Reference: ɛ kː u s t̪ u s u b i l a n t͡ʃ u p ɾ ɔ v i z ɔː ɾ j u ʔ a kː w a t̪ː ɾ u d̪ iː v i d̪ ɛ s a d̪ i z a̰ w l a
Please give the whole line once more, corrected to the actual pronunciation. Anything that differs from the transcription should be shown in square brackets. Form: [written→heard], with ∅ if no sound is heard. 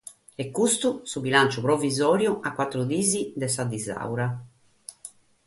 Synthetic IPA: ɛ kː u s t̪ u s u b i l a n t͡ʃ u p ɾ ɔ v i z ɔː ɾ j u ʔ a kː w a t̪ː ɾ u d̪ iː [v→z] i d̪ ɛ s a d̪ i z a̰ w [l→ɾ] a